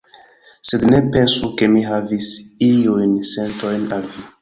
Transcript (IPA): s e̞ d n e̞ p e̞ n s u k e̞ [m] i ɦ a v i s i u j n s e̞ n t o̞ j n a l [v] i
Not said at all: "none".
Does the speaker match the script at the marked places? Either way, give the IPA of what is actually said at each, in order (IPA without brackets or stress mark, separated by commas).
m, v